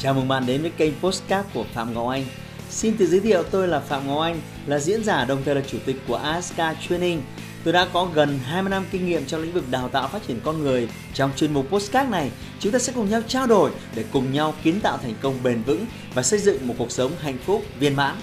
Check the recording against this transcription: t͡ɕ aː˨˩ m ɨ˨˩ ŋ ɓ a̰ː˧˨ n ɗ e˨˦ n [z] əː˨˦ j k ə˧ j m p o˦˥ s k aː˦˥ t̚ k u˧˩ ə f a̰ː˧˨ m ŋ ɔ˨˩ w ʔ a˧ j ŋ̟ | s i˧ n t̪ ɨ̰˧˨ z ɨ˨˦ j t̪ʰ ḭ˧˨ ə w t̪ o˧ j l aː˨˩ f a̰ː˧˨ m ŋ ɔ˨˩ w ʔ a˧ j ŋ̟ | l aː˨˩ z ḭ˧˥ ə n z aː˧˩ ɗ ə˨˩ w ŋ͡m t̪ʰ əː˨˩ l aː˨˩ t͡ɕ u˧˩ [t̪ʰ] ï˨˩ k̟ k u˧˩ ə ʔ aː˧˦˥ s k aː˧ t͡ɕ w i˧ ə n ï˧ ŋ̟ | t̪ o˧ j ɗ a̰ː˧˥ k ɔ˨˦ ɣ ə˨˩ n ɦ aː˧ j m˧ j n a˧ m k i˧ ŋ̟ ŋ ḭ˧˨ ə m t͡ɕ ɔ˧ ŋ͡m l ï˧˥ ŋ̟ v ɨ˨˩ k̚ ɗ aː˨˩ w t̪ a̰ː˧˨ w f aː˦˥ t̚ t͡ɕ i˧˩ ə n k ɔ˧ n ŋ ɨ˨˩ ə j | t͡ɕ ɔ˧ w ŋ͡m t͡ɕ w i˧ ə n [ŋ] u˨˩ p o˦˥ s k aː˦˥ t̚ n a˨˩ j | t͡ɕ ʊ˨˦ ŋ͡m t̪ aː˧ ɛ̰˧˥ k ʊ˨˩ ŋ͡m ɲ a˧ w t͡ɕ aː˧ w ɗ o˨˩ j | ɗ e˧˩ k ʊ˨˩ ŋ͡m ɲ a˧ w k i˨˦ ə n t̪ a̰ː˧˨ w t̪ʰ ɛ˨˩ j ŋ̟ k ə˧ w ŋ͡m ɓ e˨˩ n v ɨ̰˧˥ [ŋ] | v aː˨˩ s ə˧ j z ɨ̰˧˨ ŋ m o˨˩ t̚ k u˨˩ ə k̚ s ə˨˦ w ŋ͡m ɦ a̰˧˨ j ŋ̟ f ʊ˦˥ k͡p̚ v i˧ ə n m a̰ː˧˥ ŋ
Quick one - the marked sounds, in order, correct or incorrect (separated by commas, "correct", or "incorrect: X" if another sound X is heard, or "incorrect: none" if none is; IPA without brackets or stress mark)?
incorrect: v, incorrect: t̪, incorrect: m, correct